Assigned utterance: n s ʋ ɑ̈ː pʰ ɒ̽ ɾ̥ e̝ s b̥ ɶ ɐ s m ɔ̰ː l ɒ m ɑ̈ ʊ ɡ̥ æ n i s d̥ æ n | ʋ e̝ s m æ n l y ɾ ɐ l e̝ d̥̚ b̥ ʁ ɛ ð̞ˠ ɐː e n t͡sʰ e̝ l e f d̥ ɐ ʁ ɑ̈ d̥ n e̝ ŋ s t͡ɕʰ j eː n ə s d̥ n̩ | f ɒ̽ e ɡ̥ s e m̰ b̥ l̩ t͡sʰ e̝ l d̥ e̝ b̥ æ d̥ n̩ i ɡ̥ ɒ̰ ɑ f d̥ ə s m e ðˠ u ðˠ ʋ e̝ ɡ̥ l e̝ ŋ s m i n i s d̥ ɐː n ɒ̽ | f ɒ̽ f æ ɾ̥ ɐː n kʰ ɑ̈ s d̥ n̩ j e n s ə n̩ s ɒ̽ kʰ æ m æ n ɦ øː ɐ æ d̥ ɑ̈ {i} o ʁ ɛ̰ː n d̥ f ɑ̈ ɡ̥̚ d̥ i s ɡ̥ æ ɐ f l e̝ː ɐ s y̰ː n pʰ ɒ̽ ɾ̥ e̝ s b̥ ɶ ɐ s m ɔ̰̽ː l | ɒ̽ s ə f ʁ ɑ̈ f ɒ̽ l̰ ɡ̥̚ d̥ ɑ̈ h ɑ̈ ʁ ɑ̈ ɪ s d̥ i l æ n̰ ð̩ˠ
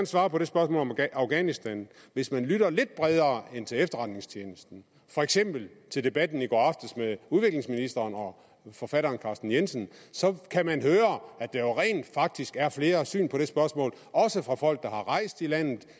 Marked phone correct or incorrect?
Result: incorrect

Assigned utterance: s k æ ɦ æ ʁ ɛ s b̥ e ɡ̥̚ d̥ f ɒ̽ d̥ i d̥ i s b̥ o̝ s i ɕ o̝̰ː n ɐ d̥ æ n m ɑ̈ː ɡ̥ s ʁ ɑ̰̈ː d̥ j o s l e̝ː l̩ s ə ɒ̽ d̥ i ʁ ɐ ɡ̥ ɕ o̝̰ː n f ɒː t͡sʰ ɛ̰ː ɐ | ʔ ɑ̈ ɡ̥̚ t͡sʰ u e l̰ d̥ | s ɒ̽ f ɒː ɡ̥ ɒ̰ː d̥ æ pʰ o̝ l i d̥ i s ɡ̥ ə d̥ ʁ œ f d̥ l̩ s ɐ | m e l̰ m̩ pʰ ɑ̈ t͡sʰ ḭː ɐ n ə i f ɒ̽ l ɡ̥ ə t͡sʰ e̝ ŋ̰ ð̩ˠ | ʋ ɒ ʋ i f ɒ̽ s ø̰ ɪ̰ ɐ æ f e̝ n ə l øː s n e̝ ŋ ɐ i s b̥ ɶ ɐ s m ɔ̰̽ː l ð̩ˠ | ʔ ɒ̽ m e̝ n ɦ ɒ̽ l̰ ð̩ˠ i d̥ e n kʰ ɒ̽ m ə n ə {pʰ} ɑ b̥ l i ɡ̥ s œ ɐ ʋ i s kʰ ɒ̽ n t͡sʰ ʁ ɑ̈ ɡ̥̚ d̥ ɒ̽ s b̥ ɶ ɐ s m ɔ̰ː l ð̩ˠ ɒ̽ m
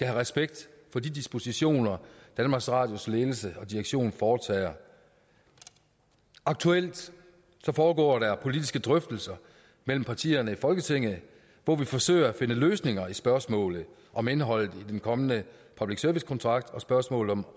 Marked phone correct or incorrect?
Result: correct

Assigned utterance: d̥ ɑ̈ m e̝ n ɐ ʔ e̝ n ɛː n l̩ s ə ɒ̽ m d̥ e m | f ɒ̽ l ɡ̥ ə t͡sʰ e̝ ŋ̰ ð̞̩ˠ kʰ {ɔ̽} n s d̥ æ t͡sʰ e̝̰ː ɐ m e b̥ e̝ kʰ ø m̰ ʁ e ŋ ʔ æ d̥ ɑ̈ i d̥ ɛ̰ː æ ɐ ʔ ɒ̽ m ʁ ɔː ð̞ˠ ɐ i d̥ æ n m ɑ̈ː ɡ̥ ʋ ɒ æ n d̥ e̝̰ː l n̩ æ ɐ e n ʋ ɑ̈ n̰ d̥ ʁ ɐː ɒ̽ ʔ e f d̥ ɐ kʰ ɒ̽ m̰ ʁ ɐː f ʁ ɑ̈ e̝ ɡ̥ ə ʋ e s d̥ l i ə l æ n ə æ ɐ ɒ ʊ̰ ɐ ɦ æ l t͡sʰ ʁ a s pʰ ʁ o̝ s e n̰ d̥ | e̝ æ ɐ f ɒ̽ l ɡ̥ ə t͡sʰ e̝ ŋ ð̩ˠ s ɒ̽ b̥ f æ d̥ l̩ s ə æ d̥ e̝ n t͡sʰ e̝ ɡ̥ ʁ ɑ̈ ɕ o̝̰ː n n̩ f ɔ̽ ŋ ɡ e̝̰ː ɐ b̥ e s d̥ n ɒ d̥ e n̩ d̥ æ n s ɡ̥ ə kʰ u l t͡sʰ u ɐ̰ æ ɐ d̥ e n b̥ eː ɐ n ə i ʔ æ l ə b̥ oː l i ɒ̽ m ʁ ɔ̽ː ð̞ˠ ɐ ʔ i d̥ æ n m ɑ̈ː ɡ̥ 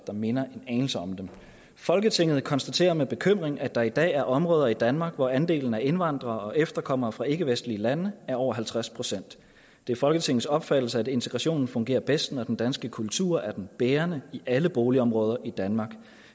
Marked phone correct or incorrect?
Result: incorrect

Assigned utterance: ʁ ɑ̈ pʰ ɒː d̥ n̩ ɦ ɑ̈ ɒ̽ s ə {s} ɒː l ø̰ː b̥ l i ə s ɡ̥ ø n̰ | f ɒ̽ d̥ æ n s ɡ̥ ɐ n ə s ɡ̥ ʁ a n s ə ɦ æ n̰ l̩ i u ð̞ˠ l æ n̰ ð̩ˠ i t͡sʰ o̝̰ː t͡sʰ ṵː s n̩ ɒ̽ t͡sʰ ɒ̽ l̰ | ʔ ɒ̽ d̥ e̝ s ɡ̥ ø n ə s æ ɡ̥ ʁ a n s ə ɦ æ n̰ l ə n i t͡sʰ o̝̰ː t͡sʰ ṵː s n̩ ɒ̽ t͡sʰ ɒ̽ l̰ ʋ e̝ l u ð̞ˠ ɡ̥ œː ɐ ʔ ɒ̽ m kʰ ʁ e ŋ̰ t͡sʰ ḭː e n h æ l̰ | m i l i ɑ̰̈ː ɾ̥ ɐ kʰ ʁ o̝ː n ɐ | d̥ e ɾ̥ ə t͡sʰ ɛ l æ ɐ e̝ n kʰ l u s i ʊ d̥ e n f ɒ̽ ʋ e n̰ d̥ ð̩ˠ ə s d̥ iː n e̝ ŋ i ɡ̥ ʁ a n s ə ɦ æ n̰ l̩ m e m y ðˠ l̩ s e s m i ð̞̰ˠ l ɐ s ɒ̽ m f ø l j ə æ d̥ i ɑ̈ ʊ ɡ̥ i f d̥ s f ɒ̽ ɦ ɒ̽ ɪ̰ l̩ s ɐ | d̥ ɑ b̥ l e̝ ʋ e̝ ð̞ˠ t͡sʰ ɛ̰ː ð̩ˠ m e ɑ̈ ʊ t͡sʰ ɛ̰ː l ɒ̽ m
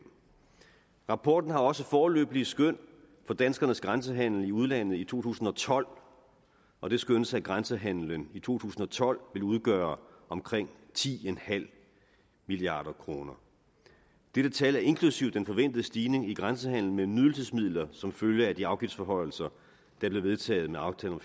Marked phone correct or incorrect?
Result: incorrect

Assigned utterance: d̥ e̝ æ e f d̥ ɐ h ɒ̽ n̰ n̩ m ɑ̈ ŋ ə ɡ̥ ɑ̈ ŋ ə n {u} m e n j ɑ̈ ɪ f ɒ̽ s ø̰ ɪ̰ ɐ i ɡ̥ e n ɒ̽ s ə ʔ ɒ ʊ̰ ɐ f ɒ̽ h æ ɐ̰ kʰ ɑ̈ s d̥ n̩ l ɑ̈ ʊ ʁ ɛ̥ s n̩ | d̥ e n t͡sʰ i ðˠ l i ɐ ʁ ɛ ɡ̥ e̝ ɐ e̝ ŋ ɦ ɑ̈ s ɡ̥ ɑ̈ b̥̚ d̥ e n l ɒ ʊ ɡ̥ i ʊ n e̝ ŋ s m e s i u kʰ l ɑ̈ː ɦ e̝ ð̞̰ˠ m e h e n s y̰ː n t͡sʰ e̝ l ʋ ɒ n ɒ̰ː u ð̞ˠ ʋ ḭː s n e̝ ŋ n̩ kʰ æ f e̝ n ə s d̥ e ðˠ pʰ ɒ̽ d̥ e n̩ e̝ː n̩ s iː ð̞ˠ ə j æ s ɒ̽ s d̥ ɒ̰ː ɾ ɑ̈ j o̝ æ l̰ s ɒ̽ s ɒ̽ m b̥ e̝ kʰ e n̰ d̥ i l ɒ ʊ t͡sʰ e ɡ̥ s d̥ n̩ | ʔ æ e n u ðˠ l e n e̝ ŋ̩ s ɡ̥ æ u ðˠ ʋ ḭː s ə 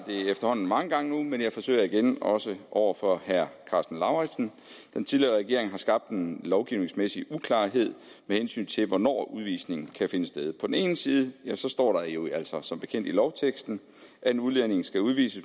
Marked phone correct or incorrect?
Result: correct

